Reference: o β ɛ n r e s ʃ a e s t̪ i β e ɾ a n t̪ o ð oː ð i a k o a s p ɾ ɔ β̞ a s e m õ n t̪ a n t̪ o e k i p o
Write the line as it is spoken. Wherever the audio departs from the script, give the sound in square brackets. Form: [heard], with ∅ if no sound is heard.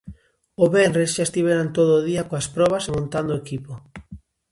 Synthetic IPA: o β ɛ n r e s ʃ a e s t̪ i β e ɾ a n t̪ o ð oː ð i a k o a s p ɾ ɔ β̞ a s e m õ n t̪ a n [d̪] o e k i p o